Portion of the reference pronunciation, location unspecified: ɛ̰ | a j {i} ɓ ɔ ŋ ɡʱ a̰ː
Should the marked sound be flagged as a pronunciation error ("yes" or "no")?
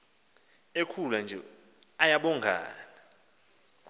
yes